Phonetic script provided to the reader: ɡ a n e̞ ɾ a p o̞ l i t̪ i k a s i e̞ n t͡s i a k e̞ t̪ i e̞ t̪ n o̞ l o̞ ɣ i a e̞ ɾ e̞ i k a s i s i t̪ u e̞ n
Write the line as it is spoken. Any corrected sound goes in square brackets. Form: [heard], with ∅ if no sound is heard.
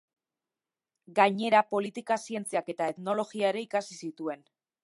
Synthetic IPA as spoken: ɡ a [ɲ] e̞ ɾ a p o̞ l i t̪ i k a s i e̞ n t͡s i a k e̞ t̪ [a] e̞ t̪ n o̞ l o̞ ɣ i a e̞ ɾ e̞ i k a s i s i t̪ u e̞ n